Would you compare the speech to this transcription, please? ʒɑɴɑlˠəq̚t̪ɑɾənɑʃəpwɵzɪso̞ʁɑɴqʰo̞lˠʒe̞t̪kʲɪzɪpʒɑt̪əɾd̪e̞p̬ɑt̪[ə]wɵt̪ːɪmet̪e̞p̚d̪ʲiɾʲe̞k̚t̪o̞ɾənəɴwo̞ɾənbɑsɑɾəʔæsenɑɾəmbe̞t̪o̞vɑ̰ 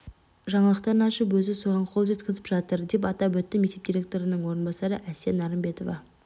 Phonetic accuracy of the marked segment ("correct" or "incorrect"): incorrect